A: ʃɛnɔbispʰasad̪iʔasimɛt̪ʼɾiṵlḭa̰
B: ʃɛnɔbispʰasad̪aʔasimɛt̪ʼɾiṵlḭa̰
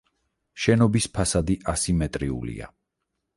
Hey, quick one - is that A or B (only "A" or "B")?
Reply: A